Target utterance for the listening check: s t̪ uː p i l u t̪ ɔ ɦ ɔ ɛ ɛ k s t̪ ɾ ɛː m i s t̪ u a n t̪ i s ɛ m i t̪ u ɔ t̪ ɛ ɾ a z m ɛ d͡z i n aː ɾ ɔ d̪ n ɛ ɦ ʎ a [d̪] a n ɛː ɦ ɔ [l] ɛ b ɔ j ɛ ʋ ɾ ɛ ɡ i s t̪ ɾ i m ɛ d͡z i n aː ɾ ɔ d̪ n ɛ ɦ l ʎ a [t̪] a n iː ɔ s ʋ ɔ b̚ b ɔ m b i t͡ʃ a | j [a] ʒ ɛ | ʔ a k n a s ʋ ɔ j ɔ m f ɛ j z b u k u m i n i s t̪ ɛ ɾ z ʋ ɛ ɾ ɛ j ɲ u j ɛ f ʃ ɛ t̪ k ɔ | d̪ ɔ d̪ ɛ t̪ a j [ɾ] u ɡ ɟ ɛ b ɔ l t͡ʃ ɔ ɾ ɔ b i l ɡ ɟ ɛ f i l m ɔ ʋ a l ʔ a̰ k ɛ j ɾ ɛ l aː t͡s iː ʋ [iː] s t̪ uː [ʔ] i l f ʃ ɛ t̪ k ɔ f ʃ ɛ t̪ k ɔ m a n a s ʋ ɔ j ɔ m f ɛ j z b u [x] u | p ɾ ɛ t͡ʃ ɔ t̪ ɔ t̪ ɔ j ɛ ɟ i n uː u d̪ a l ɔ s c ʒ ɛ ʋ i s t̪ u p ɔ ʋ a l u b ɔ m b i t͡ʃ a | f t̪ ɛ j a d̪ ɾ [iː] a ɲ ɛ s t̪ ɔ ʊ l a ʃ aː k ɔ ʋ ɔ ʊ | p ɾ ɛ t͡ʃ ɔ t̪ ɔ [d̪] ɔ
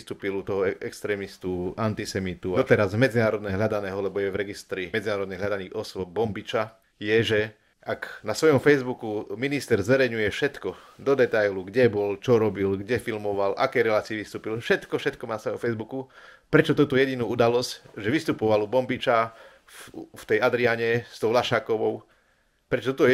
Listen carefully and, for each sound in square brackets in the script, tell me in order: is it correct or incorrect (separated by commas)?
correct, correct, incorrect, incorrect, incorrect, incorrect, incorrect, incorrect, incorrect, incorrect